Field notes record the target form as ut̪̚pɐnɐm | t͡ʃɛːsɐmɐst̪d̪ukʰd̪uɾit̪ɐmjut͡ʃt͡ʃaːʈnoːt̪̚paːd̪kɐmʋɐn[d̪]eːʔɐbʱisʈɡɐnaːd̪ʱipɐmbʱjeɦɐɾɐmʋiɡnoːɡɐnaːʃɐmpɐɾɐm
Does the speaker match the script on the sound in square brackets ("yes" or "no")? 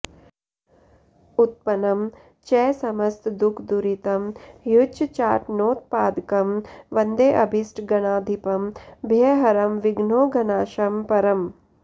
yes